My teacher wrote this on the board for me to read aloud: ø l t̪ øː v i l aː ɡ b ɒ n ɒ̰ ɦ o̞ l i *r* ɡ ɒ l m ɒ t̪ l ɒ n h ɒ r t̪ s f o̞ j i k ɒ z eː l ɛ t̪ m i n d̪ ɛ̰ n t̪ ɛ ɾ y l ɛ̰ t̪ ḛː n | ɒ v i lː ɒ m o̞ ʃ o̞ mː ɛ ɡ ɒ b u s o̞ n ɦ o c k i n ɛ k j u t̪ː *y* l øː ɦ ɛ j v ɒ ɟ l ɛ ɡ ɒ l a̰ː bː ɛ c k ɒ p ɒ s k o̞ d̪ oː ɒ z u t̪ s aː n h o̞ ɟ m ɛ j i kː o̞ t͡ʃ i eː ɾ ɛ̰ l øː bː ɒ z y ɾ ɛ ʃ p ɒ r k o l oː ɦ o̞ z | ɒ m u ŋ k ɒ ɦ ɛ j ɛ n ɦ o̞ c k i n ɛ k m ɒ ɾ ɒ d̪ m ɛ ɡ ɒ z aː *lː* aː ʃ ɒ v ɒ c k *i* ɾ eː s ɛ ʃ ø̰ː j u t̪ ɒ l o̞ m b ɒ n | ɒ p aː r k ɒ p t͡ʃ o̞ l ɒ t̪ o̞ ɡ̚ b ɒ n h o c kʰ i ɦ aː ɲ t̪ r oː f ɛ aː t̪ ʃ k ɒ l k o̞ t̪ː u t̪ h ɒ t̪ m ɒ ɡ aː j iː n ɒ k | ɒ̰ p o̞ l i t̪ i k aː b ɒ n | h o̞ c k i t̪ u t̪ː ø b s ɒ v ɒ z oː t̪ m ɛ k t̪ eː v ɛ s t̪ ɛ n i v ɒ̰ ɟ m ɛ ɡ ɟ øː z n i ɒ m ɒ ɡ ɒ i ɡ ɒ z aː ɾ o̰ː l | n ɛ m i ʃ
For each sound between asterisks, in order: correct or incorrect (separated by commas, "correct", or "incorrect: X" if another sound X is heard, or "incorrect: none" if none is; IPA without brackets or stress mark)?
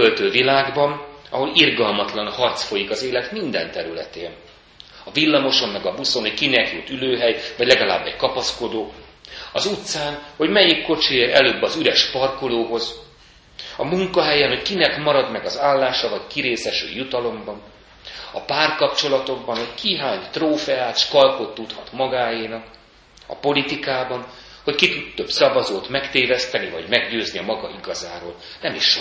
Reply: correct, correct, correct, correct